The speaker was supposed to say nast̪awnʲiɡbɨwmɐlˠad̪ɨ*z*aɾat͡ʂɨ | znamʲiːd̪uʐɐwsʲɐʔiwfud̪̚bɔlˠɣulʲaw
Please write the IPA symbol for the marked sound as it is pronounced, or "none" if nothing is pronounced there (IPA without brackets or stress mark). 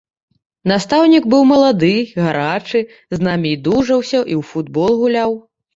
ɣ